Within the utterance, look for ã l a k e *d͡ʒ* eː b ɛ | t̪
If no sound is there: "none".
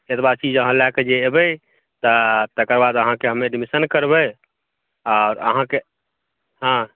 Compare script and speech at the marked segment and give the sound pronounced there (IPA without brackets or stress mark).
d͡ʒ